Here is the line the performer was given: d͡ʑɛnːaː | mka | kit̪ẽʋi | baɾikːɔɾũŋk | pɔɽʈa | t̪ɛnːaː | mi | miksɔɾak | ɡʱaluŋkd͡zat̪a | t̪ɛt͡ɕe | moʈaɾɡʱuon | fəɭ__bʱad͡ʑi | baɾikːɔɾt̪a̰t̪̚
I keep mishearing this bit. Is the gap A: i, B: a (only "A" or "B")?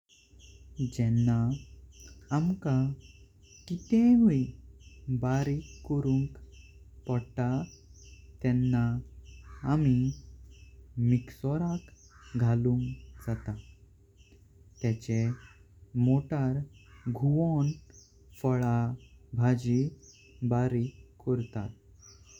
B